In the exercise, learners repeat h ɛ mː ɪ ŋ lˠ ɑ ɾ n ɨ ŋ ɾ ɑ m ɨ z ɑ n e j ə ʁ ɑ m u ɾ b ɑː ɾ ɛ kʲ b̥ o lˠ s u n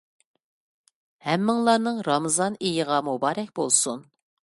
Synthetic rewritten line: h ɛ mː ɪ ŋ lˠ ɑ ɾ n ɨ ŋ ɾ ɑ m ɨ z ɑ n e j ə ʁ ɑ m u b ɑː ɾ ɛ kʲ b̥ o lˠ s u n

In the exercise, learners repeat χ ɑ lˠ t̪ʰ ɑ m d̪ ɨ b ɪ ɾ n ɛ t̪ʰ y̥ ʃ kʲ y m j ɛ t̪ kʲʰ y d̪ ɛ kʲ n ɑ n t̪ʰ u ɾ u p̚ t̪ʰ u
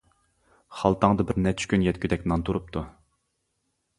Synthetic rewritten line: χ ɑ lˠ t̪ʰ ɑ ŋ d̪ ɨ b ɪ ɾ n ɛ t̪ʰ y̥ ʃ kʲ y n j ɛ t̪ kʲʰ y d̪ ɛ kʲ n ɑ n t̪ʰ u ɾ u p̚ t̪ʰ u

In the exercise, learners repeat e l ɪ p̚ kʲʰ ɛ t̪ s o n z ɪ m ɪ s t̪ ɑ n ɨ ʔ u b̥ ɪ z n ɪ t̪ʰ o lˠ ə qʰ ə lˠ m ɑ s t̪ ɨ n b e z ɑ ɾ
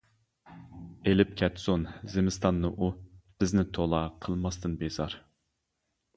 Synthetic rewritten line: e l ɪ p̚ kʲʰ ɛ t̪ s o n z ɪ m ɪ s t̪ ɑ nː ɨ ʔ u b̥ ɪ z n ɪ t̪ʰ o lˠ ɑ qʰ ə lˠ m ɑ s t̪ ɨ n b e z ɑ ɾ

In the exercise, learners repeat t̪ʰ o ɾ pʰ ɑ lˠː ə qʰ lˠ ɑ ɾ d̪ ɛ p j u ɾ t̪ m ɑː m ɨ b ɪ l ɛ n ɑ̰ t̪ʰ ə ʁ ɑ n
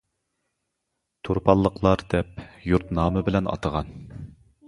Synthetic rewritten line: t̪ʰ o ɾ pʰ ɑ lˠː ə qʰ lˠ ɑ ɾ d̪ ɛ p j u ɾ t̪ n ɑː m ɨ b ɪ l ɛ n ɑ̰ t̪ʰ ə ʁ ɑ n

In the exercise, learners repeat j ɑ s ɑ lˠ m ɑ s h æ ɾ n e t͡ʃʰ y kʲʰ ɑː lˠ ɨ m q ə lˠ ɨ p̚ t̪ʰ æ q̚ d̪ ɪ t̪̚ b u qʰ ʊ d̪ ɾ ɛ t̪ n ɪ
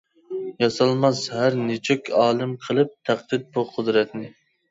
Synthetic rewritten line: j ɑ s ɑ lˠ m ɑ s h æ ɾ n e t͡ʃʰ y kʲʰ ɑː lˠ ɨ m qʰ ə lˠ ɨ p̚ t̪ʰ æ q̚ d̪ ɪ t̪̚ b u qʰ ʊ d̪ ɾ ɛ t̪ n ɪ

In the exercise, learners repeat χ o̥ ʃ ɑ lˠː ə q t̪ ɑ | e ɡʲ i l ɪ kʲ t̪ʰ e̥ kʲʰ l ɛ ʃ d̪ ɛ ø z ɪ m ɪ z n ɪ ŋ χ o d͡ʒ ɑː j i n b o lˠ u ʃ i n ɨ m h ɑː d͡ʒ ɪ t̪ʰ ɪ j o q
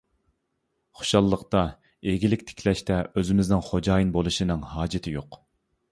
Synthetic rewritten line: χ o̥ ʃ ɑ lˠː ə q t̪ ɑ | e ɡʲ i l ɪ kʲ t̪ʰ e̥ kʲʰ l ɛ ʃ t̪ ɛ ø z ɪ m ɪ z n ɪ ŋ χ o d͡ʒ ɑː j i n b o lˠ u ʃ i n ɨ ŋ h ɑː d͡ʒ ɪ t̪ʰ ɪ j o q

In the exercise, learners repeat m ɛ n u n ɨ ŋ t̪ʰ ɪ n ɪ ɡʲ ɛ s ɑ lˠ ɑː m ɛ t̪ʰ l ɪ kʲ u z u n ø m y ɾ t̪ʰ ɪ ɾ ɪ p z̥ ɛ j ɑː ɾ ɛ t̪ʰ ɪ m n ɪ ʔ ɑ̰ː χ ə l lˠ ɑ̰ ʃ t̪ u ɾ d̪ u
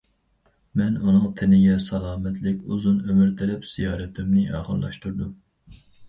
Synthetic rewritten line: m ɛ n u n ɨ ŋ t̪ʰ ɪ n ɪ ɡʲ ɛ s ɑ lˠ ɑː m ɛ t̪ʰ l ɪ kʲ u z u n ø m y ɾ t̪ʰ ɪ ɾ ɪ p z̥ i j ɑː ɾ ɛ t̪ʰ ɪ m n ɪ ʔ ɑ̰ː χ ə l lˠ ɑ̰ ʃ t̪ u ɾ d̪ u

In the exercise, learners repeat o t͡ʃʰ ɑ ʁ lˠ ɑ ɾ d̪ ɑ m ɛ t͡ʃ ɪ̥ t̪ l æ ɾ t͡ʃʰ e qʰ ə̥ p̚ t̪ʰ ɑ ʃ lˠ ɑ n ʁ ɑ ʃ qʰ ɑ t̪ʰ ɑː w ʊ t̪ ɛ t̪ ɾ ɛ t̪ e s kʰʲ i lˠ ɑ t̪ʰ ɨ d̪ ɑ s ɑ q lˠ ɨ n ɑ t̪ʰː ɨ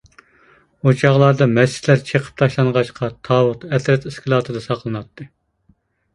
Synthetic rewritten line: o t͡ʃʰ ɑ ʁ lˠ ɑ ɾ d̪ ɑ m ɛ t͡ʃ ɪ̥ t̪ l æ ɾ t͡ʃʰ e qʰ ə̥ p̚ t̪ʰ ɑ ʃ lˠ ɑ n ʁ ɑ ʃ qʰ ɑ t̪ʰ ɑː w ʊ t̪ ɛ t̪ ɾ ɛ t̪ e s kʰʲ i lˠ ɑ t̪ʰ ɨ d̪ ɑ s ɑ q lˠ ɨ n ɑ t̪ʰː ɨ

